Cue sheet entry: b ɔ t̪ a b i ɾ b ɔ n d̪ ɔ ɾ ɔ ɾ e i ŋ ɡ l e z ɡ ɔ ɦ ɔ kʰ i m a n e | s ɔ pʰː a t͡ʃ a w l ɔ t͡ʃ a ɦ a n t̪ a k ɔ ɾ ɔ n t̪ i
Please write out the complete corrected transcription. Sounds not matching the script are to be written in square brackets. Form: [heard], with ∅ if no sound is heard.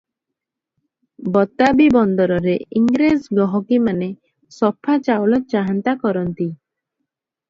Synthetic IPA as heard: b ɔ t̪ a b i [∅] b ɔ n d̪ ɔ ɾ ɔ ɾ e i ŋ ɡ [ɾ] e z ɡ ɔ ɦ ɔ [k] i m a n e | s ɔ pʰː a t͡ʃ a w l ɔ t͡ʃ a ɦ a n t̪ a k ɔ ɾ ɔ n t̪ i